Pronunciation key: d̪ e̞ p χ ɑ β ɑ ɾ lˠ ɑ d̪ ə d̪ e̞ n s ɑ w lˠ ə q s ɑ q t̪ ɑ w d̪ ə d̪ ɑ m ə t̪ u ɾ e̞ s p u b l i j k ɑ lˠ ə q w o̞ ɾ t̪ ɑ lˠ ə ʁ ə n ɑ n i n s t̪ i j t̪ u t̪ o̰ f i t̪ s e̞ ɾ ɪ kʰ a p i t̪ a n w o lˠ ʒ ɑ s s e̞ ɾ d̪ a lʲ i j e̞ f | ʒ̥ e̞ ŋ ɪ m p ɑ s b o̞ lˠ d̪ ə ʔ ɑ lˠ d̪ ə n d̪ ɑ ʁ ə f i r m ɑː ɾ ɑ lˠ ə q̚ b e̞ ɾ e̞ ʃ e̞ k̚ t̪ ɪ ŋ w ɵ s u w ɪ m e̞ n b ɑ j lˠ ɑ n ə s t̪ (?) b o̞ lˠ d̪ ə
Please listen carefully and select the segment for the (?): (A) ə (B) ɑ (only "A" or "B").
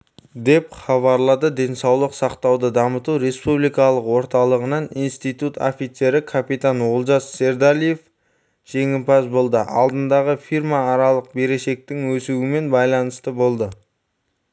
A